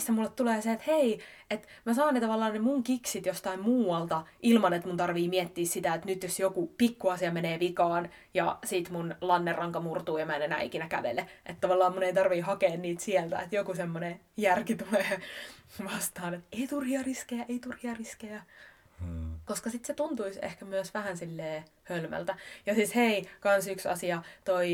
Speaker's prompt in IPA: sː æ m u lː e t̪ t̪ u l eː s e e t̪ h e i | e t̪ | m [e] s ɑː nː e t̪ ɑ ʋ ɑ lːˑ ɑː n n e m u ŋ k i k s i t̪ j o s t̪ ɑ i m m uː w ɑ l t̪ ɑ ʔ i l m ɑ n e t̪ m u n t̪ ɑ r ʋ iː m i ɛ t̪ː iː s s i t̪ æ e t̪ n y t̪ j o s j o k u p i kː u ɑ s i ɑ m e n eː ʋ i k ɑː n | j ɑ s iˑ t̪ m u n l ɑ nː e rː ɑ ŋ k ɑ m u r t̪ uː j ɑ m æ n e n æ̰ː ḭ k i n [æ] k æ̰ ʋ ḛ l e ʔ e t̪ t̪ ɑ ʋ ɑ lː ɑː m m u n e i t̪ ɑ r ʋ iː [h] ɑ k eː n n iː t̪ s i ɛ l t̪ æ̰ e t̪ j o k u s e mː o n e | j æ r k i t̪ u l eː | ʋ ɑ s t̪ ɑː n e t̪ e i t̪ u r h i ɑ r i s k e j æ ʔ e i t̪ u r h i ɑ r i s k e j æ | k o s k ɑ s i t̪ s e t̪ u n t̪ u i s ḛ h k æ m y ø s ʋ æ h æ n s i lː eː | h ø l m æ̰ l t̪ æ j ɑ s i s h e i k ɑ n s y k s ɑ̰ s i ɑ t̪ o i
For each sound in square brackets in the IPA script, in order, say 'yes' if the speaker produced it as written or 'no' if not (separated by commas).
no, yes, yes